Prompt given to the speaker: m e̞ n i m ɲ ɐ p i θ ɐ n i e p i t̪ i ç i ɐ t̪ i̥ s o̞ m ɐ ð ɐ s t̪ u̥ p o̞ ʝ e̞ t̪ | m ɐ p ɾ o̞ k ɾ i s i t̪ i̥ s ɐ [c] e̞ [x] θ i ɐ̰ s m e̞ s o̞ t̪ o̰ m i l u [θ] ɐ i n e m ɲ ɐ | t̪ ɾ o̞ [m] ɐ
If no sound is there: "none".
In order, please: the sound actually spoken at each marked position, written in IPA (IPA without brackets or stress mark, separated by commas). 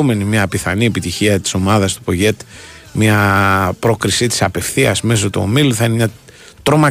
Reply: p, f, θ, m